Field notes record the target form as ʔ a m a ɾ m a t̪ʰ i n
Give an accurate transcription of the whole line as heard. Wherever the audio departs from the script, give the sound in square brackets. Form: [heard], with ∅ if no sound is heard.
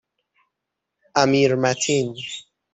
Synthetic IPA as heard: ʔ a m [i] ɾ m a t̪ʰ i n